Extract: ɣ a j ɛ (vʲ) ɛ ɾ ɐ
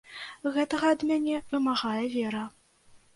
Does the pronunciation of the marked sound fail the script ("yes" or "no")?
no